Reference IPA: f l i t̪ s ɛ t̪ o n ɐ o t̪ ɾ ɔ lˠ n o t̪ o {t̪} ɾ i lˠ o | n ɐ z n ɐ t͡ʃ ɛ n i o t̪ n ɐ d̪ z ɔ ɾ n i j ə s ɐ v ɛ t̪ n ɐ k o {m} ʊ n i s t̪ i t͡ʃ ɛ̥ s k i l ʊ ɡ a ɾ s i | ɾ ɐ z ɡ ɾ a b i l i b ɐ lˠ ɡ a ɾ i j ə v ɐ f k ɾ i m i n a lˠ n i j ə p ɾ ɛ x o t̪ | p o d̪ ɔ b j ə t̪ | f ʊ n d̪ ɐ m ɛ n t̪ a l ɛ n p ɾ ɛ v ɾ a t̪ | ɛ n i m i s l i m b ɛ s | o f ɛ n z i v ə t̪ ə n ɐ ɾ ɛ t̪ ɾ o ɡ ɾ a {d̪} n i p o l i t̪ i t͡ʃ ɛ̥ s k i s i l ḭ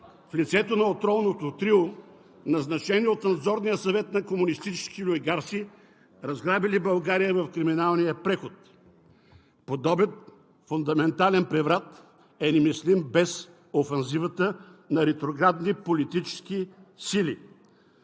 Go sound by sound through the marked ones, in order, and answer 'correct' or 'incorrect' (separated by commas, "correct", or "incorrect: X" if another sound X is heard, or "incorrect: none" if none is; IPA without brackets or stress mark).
correct, correct, correct